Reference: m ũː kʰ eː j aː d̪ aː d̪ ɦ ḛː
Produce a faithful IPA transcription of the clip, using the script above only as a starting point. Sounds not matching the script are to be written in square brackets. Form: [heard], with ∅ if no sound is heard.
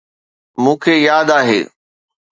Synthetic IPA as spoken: m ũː kʰ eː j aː d̪ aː [∅] ɦ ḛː